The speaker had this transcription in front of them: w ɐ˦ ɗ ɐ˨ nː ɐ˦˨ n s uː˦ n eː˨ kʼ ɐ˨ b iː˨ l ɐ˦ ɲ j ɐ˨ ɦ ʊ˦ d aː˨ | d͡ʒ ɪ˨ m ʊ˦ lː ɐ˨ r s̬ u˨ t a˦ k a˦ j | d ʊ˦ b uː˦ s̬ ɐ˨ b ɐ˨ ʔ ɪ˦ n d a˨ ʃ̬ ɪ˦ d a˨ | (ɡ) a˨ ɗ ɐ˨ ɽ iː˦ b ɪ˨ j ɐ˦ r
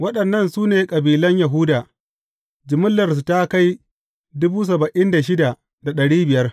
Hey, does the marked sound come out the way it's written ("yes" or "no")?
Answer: no